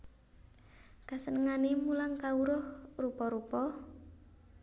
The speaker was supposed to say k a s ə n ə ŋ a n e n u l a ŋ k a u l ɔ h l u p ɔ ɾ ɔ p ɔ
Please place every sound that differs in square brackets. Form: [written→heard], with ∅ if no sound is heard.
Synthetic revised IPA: k a s ə n ə ŋ a n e [n→m] u l a ŋ k a u [l→ɾ] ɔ h [l→r] u p ɔ ɾ [ɔ→u] p ɔ